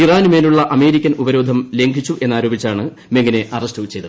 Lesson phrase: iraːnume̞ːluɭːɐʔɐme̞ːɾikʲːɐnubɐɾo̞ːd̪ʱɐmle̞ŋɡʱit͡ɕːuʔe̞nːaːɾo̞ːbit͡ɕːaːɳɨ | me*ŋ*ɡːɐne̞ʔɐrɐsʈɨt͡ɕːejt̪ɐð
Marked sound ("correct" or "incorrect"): correct